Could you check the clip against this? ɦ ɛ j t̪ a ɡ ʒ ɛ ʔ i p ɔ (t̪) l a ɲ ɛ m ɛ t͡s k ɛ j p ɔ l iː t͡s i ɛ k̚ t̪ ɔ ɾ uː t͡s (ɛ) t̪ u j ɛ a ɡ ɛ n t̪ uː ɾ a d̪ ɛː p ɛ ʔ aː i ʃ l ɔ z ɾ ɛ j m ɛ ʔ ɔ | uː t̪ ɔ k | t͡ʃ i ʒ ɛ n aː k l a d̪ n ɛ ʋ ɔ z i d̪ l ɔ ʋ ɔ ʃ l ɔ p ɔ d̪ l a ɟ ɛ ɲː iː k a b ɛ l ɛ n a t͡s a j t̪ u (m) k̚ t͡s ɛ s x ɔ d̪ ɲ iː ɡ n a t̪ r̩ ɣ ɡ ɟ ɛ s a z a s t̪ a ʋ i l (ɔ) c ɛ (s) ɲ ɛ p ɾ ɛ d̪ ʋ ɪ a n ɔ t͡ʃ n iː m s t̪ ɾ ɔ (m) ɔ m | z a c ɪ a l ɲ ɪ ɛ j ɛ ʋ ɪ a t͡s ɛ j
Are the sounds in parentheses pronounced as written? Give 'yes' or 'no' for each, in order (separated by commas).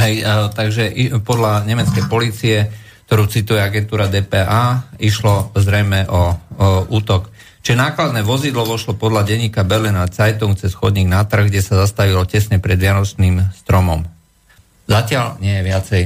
no, no, no, yes, yes, yes